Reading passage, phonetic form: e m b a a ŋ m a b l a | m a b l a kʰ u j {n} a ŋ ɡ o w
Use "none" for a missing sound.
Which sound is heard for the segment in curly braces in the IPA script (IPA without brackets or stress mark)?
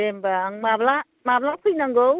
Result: n